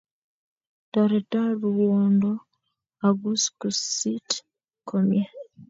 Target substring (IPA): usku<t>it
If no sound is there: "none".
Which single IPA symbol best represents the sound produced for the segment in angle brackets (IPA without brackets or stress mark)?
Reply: s